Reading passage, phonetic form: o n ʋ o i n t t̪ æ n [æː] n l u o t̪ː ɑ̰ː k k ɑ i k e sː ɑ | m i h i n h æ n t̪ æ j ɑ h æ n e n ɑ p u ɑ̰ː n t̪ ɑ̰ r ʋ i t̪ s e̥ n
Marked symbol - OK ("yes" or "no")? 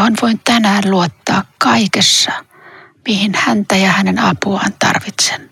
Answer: yes